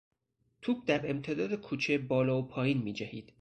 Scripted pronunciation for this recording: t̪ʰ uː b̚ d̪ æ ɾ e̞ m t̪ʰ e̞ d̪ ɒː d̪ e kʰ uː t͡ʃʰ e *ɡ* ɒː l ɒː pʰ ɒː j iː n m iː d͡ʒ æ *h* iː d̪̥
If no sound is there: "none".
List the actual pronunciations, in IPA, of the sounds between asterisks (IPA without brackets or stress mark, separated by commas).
b, h